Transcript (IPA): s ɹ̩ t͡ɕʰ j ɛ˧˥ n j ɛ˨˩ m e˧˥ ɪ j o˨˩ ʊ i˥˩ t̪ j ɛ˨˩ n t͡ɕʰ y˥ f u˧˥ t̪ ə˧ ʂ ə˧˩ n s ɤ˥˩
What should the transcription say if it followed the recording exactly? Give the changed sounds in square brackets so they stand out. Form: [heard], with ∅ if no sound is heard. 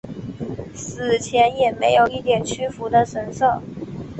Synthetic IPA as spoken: s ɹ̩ t͡ɕʰ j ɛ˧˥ n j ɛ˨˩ m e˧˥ ɪ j o˨˩ ʊ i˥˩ t̪ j ɛ˨˩ n t͡ɕʰ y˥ f u˧˥ [d̪] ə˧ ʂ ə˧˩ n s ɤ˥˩